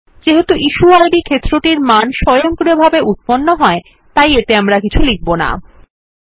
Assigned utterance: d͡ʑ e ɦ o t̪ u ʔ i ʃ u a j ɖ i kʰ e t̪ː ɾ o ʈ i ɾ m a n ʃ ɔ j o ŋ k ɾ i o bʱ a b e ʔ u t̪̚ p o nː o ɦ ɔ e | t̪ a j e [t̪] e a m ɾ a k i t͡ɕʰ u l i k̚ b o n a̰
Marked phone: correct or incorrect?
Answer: correct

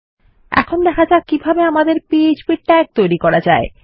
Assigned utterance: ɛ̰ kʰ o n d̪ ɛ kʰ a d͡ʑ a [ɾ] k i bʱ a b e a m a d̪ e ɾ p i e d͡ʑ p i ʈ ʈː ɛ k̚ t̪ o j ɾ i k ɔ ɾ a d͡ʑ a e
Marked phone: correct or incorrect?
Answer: incorrect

